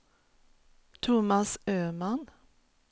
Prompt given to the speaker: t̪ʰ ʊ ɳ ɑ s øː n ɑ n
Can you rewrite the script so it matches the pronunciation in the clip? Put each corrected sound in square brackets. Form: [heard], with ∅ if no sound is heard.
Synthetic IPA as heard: t̪ʰ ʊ [m] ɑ s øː [m] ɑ n